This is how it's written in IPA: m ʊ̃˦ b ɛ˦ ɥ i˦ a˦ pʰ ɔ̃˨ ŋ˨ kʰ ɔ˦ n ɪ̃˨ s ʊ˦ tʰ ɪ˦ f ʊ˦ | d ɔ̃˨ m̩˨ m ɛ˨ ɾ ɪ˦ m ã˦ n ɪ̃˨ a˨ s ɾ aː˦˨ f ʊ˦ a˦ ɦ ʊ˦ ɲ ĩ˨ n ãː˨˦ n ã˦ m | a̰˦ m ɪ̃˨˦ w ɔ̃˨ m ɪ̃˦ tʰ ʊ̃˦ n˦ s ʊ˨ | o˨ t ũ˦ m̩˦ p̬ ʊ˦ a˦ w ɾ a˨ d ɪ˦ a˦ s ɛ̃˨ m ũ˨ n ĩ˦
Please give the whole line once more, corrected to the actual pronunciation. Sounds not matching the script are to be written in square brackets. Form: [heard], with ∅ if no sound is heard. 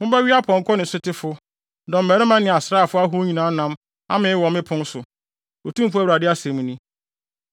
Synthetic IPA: m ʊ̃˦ b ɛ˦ ɥ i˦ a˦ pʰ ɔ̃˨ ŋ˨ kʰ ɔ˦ n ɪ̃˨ s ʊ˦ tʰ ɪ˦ f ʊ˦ | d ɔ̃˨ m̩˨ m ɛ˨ ɾ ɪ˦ m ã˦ n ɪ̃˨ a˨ s ɾ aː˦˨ f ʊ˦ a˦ ɦ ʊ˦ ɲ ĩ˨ n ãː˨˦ n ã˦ m | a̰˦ m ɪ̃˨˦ w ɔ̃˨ m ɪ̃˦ [pʰ] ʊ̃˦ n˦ s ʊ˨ | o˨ t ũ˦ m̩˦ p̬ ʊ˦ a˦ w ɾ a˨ d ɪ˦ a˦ s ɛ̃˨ m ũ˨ n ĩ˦